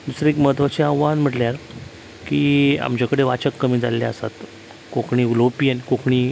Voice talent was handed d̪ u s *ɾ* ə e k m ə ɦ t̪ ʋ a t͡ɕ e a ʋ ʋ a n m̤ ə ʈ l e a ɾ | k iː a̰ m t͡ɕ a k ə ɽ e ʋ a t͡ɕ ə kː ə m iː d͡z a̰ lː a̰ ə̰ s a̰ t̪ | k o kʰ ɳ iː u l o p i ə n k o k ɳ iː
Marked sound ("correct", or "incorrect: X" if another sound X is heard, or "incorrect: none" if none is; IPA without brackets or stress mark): correct